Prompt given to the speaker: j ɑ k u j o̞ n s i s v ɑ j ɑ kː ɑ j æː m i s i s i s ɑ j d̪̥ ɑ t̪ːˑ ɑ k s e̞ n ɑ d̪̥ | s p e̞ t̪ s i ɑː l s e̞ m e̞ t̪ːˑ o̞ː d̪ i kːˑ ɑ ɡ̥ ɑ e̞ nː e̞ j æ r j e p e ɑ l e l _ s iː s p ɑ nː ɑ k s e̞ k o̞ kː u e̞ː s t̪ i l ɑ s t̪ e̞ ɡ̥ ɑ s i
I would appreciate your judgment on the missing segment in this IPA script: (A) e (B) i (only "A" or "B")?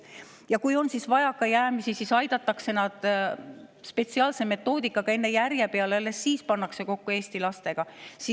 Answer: A